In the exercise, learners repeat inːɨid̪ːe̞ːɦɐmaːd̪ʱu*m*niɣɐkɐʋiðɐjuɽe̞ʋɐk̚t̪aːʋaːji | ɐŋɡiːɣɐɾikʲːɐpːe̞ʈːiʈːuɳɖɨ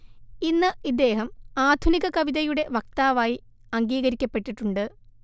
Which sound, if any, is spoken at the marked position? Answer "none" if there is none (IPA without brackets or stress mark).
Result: none